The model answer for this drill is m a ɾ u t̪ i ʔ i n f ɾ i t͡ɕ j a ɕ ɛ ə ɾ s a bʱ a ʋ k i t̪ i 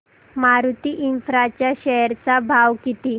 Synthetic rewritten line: m a ɾ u t̪ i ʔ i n f ɾ a t͡ɕ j a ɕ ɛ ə ɾ t͡s a bʱ a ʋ k i t̪ i